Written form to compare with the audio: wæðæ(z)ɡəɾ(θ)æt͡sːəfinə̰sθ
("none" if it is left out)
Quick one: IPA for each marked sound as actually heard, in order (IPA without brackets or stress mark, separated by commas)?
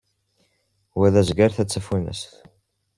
z, θ